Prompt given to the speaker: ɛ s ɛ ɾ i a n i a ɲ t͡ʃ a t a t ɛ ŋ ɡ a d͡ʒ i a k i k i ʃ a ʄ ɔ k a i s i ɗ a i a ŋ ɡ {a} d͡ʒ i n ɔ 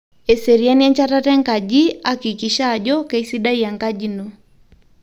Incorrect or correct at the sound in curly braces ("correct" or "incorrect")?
correct